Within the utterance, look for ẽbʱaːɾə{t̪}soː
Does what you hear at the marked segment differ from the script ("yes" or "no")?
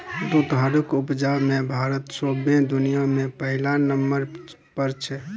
no